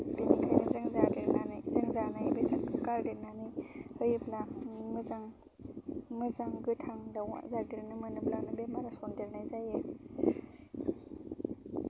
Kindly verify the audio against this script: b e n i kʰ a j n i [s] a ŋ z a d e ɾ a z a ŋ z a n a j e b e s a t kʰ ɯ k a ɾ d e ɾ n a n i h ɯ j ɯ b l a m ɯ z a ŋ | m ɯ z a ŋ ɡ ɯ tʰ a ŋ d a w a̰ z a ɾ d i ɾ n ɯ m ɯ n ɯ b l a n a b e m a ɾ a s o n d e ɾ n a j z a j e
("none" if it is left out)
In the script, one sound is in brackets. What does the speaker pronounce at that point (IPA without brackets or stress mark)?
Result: z